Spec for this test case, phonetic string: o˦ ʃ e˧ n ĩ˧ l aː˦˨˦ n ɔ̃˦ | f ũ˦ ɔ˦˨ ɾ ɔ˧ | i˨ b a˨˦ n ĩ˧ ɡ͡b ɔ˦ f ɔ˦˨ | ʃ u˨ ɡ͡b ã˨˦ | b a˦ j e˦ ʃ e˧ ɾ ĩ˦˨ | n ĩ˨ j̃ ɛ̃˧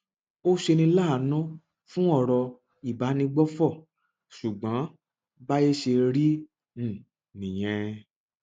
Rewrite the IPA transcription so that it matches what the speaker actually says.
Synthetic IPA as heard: o˦ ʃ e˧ n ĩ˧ l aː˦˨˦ n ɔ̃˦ | f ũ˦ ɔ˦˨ ɾ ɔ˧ | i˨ b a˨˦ n ĩ˧ ɡ͡b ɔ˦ f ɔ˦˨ | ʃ u˨ ɡ͡b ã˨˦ | b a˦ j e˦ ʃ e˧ ɾ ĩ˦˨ | n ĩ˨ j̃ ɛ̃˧